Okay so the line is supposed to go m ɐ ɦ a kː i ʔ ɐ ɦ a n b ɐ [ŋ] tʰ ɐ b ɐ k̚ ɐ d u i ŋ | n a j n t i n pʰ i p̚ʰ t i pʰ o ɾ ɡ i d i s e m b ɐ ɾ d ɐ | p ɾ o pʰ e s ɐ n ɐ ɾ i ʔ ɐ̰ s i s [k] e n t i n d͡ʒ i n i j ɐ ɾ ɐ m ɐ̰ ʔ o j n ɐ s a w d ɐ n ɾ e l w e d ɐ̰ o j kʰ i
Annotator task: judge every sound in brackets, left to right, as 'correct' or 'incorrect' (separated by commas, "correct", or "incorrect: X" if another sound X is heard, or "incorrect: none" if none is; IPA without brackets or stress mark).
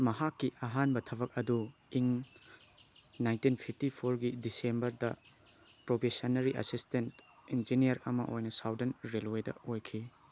incorrect: none, incorrect: t